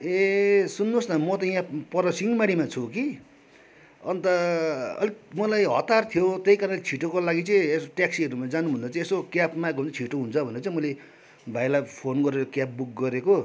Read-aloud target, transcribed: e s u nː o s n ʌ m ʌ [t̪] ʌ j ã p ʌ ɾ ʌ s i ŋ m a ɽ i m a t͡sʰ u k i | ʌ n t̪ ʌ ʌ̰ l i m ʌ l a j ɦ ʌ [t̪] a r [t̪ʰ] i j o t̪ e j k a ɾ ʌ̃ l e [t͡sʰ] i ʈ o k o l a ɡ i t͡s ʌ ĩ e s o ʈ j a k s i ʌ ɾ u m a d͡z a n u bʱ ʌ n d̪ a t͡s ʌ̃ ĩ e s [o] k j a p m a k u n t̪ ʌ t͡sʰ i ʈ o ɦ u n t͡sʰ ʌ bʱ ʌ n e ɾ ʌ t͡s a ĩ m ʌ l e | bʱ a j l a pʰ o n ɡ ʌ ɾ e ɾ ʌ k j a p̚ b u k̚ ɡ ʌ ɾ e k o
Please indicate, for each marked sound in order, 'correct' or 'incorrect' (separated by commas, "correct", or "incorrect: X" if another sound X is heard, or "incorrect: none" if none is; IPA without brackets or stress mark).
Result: correct, correct, correct, correct, correct